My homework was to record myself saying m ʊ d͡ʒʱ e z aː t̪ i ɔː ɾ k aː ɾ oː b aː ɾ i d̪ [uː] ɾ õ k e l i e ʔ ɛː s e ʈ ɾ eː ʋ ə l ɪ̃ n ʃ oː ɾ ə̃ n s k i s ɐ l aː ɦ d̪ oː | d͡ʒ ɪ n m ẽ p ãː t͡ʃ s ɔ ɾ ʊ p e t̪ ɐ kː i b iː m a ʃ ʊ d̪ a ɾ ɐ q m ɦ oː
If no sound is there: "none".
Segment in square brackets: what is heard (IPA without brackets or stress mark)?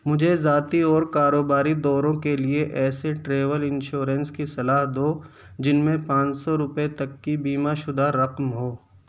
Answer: ɔː